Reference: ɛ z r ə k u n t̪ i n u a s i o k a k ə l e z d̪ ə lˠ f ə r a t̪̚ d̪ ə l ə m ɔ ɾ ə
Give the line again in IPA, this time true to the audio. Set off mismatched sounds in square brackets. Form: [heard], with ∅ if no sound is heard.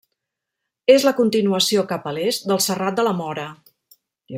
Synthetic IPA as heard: [e] z [l] ə k u n t̪ i n u [ə] s i o k a [p] ə l e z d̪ ə lˠ [s] ə r a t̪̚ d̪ ə l ə m ɔ ɾ ə